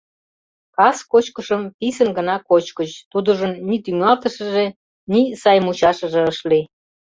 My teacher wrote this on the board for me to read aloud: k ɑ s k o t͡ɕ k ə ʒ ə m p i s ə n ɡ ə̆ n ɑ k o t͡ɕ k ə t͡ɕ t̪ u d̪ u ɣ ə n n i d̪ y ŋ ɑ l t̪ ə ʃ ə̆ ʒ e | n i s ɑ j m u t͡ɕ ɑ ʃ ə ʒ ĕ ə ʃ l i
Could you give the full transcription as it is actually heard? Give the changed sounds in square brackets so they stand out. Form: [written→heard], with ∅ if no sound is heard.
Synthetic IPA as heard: k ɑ s k o t͡ɕ k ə [ʒ→ʃ] ə m p i s ə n ɡ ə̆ n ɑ k o t͡ɕ k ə t͡ɕ t̪ u d̪ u [ɣ→ʒ] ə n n i [d̪→t̪] y ŋ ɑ l t̪ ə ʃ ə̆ ʒ e | n i s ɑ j m u t͡ɕ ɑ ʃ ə ʒ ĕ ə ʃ l i